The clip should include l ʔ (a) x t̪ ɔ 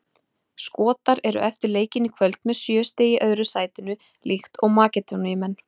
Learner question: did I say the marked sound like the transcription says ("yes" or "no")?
no